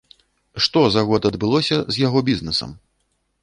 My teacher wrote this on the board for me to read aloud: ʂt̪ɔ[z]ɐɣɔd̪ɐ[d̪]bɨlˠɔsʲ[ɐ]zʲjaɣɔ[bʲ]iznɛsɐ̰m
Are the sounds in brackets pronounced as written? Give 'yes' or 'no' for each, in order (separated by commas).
yes, yes, yes, yes